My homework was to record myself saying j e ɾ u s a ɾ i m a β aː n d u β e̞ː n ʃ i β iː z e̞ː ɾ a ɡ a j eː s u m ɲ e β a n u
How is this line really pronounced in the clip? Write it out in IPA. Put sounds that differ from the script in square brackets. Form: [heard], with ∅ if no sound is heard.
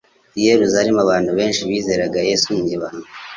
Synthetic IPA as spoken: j e ɾ u [z] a ɾ i m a β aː n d u β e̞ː n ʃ i β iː z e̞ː ɾ a ɡ a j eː s u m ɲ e β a n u